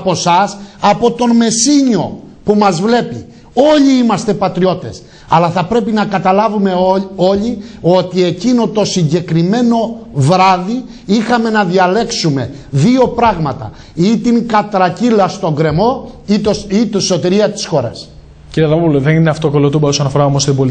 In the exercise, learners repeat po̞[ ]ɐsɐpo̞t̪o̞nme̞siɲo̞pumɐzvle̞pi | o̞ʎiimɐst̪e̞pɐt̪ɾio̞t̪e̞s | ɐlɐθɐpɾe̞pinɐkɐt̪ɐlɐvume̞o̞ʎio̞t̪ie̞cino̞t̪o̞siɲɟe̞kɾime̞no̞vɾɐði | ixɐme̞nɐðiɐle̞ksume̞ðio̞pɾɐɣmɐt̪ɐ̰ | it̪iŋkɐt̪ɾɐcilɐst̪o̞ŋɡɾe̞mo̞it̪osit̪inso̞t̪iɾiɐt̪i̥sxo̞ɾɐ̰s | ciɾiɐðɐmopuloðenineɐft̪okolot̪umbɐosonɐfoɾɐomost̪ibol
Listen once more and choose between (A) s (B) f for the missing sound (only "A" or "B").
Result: A